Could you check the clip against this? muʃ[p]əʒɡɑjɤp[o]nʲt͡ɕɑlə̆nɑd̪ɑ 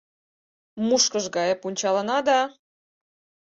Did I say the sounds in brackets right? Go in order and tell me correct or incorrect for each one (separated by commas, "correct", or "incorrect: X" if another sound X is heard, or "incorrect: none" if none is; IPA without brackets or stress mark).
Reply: incorrect: k, incorrect: u